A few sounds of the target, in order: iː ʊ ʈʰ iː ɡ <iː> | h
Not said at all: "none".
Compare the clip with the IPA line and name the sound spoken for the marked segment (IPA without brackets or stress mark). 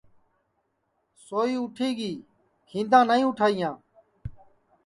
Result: iː